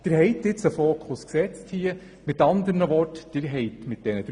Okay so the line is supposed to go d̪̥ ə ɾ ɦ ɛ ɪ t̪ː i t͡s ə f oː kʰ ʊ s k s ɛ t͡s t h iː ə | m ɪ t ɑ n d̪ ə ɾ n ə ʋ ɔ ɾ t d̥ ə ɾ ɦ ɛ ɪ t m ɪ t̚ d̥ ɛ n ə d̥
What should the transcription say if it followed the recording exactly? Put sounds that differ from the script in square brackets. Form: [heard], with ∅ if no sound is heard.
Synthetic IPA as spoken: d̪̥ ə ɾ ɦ ɛ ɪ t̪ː [ɪ] t͡s ə f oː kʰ ʊ s k s ɛ t͡s t h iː ə | m ɪ t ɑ n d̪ ə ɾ n ə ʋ ɔ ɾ t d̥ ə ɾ ɦ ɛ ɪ t m ɪ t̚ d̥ ɛ n ə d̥